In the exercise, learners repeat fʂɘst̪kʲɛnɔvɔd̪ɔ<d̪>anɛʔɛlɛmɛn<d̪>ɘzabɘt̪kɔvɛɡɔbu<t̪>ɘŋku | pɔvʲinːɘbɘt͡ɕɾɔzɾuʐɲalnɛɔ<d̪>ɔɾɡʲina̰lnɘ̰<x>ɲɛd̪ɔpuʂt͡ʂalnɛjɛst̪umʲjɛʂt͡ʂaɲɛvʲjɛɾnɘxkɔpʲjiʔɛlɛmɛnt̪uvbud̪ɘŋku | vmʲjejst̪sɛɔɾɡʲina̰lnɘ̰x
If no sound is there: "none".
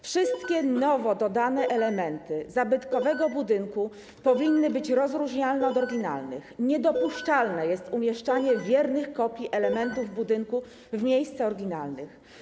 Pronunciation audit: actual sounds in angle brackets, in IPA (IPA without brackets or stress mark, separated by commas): d̪, t̪, d̪, d̪, x